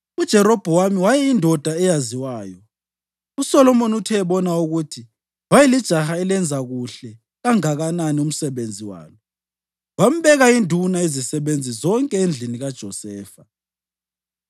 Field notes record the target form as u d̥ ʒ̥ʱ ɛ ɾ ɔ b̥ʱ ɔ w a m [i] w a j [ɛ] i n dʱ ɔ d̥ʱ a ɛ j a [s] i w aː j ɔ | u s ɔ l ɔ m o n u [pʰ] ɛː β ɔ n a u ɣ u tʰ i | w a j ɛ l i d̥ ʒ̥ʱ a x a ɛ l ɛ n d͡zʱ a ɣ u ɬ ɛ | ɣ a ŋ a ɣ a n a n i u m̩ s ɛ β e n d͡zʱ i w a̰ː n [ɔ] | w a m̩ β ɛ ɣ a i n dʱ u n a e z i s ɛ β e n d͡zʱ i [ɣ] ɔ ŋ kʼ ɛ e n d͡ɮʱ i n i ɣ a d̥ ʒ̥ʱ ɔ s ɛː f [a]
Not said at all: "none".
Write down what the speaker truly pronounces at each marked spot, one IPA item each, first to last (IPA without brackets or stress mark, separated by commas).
i, ɛ, z, tʰ, ɔ, z, a